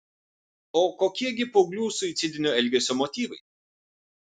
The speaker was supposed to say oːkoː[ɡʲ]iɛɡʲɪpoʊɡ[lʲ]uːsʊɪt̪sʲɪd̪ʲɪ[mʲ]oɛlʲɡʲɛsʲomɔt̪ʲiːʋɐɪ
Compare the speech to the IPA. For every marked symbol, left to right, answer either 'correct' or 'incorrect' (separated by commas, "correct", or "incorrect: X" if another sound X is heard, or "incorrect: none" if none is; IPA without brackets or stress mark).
incorrect: kʲ, correct, incorrect: nʲ